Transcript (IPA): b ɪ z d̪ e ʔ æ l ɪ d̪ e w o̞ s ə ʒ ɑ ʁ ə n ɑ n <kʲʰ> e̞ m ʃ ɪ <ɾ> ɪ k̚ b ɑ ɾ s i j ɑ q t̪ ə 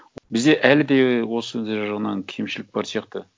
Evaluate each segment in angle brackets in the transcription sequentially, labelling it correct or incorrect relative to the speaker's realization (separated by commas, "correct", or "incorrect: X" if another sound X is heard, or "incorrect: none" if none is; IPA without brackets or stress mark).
correct, incorrect: l